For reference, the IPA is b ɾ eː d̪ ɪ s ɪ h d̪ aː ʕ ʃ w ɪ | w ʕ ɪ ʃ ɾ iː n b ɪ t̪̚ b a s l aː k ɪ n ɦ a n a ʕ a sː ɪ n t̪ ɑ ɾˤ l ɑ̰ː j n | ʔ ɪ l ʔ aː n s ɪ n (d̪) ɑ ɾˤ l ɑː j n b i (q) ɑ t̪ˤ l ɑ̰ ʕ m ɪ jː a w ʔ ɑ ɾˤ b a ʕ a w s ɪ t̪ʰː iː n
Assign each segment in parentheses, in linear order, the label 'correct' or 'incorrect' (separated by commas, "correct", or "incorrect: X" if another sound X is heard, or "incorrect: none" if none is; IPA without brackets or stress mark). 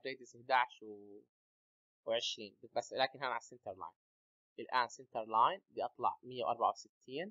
incorrect: t̪, incorrect: ʔ